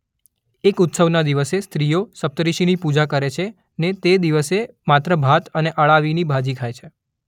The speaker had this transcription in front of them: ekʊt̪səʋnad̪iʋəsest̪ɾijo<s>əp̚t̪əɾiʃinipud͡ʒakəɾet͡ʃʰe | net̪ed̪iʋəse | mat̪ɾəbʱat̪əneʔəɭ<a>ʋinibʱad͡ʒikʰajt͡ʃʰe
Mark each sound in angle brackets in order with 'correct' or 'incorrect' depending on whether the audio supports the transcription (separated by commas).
correct, correct